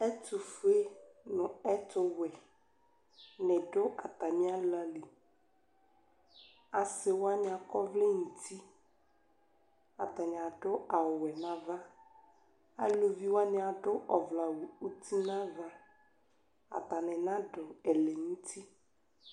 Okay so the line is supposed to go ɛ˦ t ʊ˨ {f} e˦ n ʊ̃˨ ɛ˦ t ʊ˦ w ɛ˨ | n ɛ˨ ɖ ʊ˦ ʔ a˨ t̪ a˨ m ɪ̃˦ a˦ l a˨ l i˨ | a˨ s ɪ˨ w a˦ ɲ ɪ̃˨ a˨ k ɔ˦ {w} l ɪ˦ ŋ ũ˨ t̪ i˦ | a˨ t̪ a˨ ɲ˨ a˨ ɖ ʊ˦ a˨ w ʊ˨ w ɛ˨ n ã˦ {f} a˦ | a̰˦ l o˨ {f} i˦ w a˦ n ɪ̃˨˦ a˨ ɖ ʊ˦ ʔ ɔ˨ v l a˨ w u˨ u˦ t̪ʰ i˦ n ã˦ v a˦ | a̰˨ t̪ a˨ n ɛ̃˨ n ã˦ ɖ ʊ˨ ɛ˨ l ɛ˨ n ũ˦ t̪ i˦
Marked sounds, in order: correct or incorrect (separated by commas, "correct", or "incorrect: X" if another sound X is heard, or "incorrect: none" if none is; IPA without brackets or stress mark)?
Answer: correct, incorrect: v, incorrect: v, incorrect: v